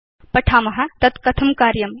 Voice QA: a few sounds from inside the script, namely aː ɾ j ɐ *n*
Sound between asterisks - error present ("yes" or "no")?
yes